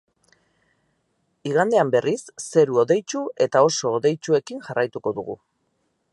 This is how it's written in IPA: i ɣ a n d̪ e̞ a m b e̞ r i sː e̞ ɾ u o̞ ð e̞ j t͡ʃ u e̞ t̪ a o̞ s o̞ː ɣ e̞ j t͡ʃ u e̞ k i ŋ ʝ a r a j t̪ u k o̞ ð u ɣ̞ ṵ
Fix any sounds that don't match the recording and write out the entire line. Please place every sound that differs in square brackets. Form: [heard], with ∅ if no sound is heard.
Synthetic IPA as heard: i ɣ a n d̪ e̞ a m b e̞ r i sː e̞ ɾ u o̞ ð e̞ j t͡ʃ u e̞ t̪ a o̞ s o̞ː [ð] e̞ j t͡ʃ u e̞ k i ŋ ʝ a r a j t̪ u k o̞ ð u ɣ̞ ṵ